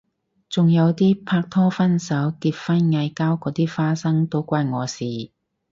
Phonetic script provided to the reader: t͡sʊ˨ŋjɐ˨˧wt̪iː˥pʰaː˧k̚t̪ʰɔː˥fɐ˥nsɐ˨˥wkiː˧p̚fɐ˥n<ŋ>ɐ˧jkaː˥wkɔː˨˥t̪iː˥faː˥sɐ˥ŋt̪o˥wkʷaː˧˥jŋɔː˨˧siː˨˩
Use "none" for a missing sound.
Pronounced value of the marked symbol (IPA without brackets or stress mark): ŋ